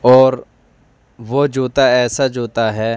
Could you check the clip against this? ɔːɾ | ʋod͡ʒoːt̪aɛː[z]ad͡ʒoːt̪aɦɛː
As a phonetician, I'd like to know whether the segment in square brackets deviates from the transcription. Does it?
yes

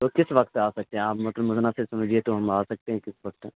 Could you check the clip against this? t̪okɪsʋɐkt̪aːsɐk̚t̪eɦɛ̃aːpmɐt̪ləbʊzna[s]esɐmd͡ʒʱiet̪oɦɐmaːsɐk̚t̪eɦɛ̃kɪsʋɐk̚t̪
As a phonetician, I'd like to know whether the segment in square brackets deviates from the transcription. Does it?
no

